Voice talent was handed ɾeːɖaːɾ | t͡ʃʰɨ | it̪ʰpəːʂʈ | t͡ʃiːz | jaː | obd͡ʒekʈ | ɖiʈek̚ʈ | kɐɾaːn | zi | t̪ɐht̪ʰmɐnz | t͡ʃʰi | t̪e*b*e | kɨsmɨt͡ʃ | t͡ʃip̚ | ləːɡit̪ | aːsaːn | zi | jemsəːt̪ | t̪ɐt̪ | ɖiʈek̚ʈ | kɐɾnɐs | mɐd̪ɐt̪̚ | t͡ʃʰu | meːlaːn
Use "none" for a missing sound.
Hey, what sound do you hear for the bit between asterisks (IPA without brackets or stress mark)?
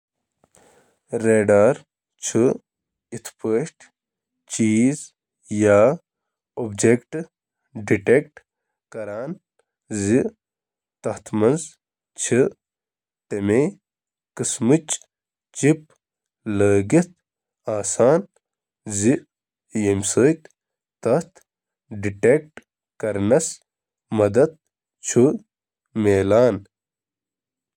m